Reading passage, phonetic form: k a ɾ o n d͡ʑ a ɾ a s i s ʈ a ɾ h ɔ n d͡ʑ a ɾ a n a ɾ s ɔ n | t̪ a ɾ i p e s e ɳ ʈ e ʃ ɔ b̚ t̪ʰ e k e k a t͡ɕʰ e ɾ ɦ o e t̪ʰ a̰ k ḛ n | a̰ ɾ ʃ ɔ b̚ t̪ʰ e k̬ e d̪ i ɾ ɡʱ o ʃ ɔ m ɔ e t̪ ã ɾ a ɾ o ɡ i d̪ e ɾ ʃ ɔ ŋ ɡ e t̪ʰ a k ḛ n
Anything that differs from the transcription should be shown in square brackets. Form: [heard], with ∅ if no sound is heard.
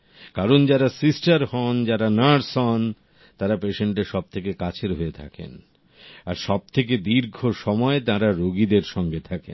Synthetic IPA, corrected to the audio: k a ɾ o n d͡ʑ a ɾ a s i s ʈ a ɾ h ɔ n d͡ʑ a ɾ a n a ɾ s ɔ n | t̪ a ɾ [a] p e [ʃ] e ɳ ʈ e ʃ ɔ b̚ t̪ʰ e k e k a t͡ɕʰ e ɾ ɦ o e t̪ʰ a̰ k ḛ n | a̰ ɾ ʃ ɔ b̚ t̪ʰ e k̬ e d̪ i ɾ ɡʱ o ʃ ɔ m ɔ e t̪ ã ɾ a ɾ o ɡ i d̪ e ɾ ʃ ɔ ŋ ɡ e t̪ʰ a k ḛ n